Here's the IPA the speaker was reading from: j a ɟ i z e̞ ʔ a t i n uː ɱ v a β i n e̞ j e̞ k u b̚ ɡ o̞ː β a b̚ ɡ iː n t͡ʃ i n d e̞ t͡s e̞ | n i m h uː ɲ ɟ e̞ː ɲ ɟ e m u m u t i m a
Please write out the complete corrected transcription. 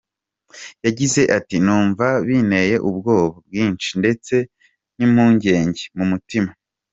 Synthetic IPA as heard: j a ɟ i z e̞ ʔ a t i n uː ɱ v a β i n e̞ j e̞ ʔ u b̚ ɡ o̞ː β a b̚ ɡ iː n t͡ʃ i n d e̞ t͡s e̞ | n i m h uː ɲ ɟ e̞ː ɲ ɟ e m u m u t i m a